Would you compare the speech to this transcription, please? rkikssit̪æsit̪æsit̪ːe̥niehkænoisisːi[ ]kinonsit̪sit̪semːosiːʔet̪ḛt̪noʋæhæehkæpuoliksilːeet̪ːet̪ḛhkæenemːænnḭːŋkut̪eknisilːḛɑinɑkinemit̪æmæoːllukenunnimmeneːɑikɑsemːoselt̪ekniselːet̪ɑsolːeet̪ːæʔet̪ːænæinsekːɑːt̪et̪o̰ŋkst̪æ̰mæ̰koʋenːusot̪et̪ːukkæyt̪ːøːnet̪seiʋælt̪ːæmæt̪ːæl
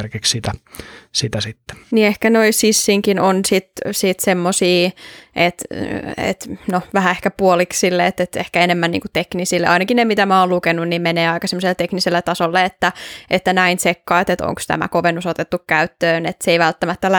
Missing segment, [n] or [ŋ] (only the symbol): ŋ